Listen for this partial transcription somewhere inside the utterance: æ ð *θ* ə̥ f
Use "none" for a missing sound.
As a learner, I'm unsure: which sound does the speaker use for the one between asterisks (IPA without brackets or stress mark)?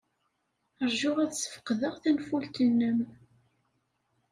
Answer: s